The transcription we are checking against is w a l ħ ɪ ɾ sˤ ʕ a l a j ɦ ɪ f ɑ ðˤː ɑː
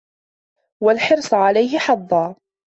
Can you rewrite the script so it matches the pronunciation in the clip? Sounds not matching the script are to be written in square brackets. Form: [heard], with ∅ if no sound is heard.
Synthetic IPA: w a l ħ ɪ ɾ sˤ ʕ a l a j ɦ ɪ [ħ] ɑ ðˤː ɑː